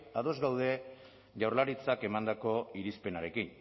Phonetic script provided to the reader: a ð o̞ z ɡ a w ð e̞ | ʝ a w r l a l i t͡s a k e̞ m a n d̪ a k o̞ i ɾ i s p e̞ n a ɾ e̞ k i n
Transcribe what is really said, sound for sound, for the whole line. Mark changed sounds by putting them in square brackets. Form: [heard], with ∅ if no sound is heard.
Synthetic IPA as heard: a ð o̞ z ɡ a w ð e̞ | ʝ a w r l a [ɾ] i t͡s a k e̞ m a n d̪ a k o̞ i ɾ i s p e̞ n a ɾ e̞ k i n

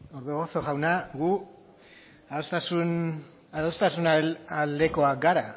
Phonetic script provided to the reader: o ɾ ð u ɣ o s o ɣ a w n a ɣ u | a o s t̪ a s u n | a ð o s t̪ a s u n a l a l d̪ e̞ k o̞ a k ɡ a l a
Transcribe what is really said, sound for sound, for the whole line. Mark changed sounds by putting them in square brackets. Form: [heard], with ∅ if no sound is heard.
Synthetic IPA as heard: o ɾ ð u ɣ o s o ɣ a w n a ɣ u | a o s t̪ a s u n | a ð o s t̪ a s u n a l a l d̪ e̞ k o̞ a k ɡ a [ɾ] a

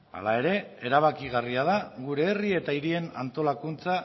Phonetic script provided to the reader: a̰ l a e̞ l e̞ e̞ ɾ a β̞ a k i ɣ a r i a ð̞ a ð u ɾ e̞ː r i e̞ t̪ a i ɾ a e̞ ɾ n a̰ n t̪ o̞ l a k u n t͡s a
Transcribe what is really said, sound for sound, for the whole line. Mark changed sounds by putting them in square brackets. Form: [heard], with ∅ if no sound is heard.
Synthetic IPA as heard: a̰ l a e̞ [ɾ] e̞ e̞ ɾ a β̞ a k i ɣ a r i a ð̞ a [ɣ] u ɾ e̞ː r i e̞ t̪ a i ɾ [i] e̞ [∅] n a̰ n t̪ o̞ l a k u n t͡s a

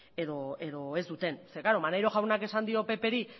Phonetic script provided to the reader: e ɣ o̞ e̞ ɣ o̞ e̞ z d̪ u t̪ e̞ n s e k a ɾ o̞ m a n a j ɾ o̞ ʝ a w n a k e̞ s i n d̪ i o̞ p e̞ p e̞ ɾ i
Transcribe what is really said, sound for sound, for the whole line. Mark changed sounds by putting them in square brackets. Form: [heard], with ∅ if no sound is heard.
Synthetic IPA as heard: e [ð] o̞ e̞ [ð] o̞ e̞ z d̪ u t̪ e̞ n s e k a ɾ o̞ m a n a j ɾ o̞ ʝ a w n a k e̞ s [a] n d̪ i o̞ p e̞ p e̞ ɾ i

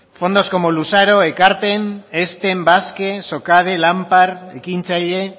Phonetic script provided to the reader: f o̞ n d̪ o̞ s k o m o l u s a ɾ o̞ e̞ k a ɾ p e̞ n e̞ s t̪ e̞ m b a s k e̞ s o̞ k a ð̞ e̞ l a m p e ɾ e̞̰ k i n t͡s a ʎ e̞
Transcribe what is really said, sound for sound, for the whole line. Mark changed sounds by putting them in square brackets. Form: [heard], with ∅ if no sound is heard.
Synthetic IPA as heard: f o̞ n d̪ o̞ s k o m o l u s a ɾ o̞ e̞ k a ɾ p e̞ n e̞ s t̪ e̞ m b a s k e̞ s o̞ k a ð̞ e̞ l a m p [a] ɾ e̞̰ k i n t͡s a ʎ e̞

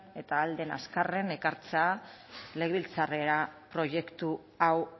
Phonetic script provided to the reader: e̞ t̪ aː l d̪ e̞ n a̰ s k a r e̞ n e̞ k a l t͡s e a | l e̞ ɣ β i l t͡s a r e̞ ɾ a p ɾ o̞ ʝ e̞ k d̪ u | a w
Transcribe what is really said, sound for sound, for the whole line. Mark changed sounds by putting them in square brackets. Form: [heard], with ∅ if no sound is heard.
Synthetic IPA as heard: e̞ t̪ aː l d̪ e̞ n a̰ s k a r e̞ n e̞ k a [ɾ] t͡s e a | l e̞ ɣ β i l t͡s a r e̞ ɾ a p ɾ o̞ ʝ e̞ k [t̪] u | a w

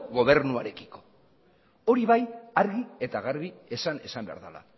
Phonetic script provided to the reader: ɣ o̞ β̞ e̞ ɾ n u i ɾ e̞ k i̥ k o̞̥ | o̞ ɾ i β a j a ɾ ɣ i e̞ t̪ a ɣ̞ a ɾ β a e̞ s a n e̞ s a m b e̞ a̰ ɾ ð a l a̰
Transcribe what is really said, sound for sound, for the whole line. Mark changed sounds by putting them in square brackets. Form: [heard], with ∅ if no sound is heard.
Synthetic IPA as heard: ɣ o̞ β̞ e̞ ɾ n u [a] ɾ e̞ k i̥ k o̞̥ | o̞ ɾ i β a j a ɾ ɣ i e̞ t̪ a ɣ̞ a ɾ β [i] e̞ s a n e̞ s a m b e̞ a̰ ɾ ð a l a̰

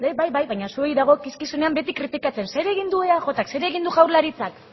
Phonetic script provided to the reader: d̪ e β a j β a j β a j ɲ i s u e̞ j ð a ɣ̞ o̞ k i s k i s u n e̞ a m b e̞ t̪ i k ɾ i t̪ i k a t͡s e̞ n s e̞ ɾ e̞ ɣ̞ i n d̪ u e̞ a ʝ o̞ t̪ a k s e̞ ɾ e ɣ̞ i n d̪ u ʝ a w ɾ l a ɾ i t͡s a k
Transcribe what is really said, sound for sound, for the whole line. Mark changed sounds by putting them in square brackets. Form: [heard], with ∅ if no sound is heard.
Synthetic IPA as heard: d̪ e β a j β a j β a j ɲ [a] s u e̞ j ð a ɣ̞ o̞ k i s k i s u n e̞ a m b e̞ t̪ i k ɾ i t̪ i k a t͡s e̞ n s e̞ ɾ e̞ ɣ̞ i n d̪ u e̞ a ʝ o̞ t̪ a k s e̞ ɾ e ɣ̞ i n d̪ u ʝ a w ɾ l a ɾ i t͡s a k

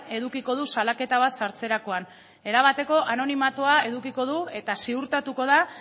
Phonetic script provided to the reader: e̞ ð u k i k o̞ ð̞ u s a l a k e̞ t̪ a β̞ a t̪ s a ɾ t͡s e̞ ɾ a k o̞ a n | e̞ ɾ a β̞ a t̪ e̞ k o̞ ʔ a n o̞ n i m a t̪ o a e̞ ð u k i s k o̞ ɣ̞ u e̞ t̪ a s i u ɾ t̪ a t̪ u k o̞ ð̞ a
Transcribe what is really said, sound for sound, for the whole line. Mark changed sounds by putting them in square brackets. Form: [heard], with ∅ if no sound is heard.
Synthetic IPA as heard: e̞ ð u k i k o̞ ð̞ u s a l a k e̞ t̪ a β̞ a t̪ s a ɾ t͡s e̞ ɾ a k o̞ a n | e̞ ɾ a β̞ a t̪ e̞ k o̞ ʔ a n o̞ n i m a t̪ o a e̞ ð u k i [∅] k o̞ [ð̞] u e̞ t̪ a s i u ɾ t̪ a t̪ u k o̞ ð̞ a

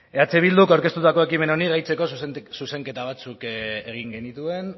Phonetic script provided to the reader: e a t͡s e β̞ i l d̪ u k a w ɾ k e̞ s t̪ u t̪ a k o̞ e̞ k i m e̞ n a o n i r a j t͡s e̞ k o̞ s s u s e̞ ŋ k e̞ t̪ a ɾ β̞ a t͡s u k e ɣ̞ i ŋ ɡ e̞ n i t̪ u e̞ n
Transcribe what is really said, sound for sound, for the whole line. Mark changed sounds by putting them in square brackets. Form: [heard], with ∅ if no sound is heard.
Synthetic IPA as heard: e a t͡s e β̞ i l d̪ u k a w ɾ k e̞ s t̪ u t̪ a k o̞ e̞ k i m e̞ n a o n i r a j t͡s e̞ k o̞ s s u s e̞ ŋ k e̞ t̪ a [∅] β̞ a t͡s u k e ɣ̞ i ŋ ɡ e̞ n i t̪ u e̞ n

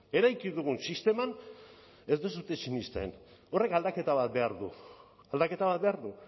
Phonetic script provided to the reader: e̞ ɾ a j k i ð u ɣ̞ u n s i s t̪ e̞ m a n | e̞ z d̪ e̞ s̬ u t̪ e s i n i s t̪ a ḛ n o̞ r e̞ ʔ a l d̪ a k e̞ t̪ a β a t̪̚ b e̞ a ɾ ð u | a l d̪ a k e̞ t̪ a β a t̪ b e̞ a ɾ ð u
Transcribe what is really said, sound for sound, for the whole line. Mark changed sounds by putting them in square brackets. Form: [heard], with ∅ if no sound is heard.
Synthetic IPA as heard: e̞ ɾ a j k i ð u ɣ̞ u n s i s t̪ e̞ m a n | e̞ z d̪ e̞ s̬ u t̪ e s i n i s t̪ a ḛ n o̞ r e̞ [k] a l d̪ a k e̞ t̪ a β a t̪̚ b e̞ a ɾ ð u | a l d̪ a k e̞ t̪ a β a t̪ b e̞ a ɾ ð u

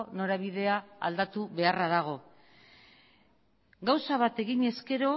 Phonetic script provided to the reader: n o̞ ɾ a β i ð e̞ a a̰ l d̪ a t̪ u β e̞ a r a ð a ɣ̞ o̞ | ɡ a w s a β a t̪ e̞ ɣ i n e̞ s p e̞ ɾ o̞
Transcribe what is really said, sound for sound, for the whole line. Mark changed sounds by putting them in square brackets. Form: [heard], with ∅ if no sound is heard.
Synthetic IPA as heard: n o̞ ɾ a β i ð e̞ a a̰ l d̪ a t̪ u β e̞ a r a ð a ɣ̞ o̞ | ɡ a w s a β a t̪ e̞ ɣ i [ɲ] e̞ s [k] e̞ ɾ o̞

